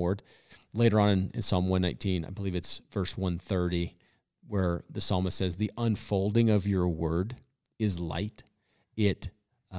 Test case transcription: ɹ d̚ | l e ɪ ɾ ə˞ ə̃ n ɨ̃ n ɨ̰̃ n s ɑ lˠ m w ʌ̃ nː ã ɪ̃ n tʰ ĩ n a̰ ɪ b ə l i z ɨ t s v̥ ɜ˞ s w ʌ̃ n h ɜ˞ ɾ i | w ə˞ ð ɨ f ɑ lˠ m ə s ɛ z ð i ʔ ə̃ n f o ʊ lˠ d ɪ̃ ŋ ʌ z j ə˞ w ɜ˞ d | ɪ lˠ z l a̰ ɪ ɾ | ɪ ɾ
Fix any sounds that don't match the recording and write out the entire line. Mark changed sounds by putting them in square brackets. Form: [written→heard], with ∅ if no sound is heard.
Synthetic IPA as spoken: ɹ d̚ | l e ɪ ɾ ə˞ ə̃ n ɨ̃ n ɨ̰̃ n s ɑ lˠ m w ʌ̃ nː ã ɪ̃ n tʰ ĩ n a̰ ɪ b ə l i [z→v] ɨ t s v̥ ɜ˞ s w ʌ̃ n [h→θ] ɜ˞ ɾ i | w ə˞ ð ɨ [f→s] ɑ lˠ m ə s ɛ z ð i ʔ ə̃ n f o ʊ lˠ d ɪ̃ ŋ ʌ [z→v] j ə˞ w ɜ˞ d | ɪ [lˠ→∅] z l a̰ ɪ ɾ | ɪ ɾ